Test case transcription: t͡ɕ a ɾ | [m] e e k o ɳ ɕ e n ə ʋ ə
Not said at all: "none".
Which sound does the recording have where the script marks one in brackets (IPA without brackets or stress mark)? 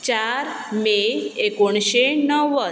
m